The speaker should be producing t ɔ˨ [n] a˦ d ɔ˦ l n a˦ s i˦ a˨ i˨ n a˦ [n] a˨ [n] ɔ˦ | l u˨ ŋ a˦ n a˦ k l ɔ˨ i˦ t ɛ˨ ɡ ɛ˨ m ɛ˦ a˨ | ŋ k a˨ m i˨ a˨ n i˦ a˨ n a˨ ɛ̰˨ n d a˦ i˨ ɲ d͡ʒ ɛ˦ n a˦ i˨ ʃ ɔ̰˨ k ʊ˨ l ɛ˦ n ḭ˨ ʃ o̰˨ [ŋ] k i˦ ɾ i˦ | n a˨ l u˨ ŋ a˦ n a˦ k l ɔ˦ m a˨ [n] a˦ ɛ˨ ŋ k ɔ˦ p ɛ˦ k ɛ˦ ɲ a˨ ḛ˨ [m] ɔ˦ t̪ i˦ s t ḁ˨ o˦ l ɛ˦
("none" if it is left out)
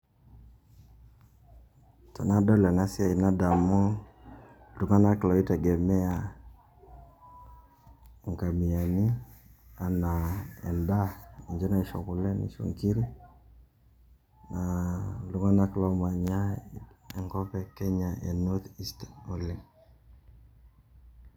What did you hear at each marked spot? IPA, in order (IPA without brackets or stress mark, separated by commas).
n, d, m, ŋ, ɲ, n